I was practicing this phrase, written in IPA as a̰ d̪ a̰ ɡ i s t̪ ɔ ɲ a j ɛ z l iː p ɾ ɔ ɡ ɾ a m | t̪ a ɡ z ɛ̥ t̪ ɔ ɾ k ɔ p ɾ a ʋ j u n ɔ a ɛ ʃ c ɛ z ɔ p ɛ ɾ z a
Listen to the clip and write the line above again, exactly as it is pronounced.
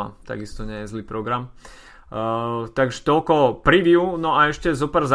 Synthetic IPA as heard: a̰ t̪ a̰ ɡ i s t̪ ɔ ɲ ɛ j ɛ z l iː p ɾ ɔ ɡ ɾ a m | t̪ a ɡ ʒ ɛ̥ t̪ ɔ l k ɔ p ɾ i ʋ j u n ɔ a ɛ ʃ c ɛ z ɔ p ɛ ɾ z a